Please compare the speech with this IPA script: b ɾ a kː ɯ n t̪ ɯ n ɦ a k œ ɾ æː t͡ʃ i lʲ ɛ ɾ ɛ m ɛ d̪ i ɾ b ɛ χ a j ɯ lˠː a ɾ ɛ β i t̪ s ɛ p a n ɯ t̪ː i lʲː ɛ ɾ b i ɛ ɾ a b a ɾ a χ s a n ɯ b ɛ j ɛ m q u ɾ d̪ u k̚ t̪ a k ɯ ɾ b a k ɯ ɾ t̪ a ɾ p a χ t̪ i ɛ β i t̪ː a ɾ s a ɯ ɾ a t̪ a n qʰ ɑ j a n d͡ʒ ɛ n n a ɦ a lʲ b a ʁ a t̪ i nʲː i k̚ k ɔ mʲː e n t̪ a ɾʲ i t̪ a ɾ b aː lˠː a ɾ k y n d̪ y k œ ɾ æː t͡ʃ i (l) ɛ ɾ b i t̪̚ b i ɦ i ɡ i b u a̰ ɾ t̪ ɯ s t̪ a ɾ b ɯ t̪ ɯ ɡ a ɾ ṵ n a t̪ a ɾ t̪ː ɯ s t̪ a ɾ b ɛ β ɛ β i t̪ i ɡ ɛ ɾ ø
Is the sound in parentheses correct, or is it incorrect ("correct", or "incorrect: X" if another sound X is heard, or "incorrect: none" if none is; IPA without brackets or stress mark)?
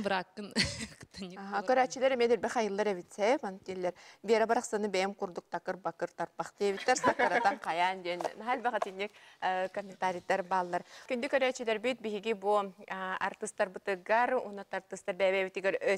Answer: correct